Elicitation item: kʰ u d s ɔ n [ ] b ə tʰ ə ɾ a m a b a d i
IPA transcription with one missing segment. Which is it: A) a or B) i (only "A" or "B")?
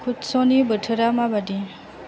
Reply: B